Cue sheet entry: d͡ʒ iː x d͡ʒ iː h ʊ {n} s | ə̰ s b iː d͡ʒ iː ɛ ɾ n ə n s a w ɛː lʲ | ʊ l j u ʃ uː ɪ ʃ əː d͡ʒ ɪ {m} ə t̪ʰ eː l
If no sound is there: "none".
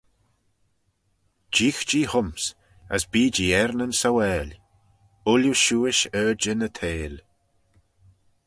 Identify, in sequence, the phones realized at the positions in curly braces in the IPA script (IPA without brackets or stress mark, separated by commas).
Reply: m, n